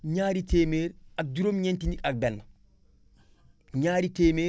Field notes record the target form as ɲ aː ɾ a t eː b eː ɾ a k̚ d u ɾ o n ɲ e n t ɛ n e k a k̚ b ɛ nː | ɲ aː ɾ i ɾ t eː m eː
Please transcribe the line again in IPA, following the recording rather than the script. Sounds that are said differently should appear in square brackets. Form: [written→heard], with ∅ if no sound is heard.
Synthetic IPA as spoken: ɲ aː ɾ [a→i] t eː [b→m] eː ɾ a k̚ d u ɾ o [n→m] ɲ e n t [ɛ→i] n [e→i] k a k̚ b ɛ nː | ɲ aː ɾ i [ɾ→∅] t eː m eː